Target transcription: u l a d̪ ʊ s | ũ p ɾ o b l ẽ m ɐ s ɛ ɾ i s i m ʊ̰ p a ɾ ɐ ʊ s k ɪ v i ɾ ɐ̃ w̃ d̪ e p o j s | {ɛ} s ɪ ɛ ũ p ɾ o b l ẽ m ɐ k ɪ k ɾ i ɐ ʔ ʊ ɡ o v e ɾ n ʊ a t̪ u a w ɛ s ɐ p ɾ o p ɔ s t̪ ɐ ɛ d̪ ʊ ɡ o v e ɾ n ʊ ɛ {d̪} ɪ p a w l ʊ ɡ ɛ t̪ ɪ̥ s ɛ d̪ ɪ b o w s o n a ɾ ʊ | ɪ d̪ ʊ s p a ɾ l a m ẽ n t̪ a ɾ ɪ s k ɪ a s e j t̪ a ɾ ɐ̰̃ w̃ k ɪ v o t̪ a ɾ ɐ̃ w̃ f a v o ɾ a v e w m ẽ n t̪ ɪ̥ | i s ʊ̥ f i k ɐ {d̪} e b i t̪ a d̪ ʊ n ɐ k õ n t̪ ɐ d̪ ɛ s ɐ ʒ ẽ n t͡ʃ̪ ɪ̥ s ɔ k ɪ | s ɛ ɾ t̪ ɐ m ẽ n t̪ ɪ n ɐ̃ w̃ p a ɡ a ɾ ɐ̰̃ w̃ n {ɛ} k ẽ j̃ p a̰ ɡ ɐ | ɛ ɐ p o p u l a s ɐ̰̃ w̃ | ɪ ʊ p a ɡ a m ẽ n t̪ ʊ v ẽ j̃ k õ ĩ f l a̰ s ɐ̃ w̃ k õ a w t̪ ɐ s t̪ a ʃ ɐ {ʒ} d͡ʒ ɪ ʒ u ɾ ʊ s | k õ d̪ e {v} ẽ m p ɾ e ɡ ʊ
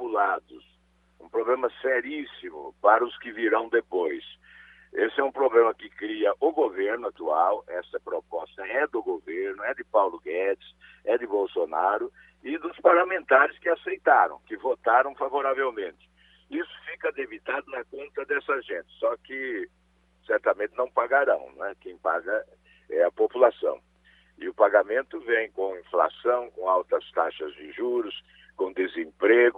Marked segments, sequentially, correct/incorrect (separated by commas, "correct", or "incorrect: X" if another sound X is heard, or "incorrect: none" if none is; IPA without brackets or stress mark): incorrect: e, correct, correct, correct, incorrect: z, incorrect: z